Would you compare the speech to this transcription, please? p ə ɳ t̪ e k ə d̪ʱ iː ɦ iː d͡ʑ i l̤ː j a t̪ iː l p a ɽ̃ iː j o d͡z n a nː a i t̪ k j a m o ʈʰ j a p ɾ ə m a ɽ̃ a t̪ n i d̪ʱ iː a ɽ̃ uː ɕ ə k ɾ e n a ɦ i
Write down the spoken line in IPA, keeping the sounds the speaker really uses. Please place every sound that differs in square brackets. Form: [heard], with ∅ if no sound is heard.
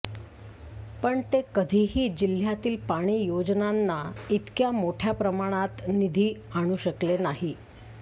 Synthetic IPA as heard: p ə ɳ t̪ e k ə d̪ʱ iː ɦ iː d͡ʑ i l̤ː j a t̪ iː l p a ɽ̃ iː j o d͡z n a nː a i t̪ k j a m o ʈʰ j a p ɾ ə m a ɽ̃ a t̪ n i d̪ʱ iː a ɽ̃ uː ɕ ə k [l] e n a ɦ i